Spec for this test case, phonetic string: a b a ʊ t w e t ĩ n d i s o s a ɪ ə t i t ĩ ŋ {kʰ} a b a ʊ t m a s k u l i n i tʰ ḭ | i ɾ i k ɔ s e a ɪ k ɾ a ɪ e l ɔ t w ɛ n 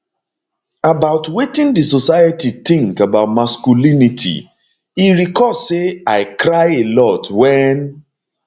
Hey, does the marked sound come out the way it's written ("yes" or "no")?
no